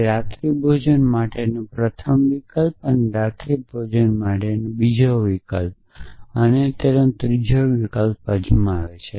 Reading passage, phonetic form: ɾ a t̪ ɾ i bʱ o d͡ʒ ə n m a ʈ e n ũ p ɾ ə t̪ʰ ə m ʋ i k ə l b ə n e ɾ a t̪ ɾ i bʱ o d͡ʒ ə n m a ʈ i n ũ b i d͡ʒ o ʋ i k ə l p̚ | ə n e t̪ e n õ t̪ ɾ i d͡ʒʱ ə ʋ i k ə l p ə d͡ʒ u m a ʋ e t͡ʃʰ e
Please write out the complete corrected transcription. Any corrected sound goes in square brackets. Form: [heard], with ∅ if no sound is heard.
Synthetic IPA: ɾ a t̪ ɾ i bʱ o d͡ʒ ə n m a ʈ e n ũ p ɾ ə t̪ʰ ə m ʋ i k ə l [p] ə n e ɾ a t̪ ɾ i bʱ o d͡ʒ ə n m a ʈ [e] n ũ b i d͡ʒ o ʋ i k ə l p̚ | ə n e t̪ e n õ t̪ ɾ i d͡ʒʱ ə ʋ i k ə l p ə d͡ʒ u m a ʋ e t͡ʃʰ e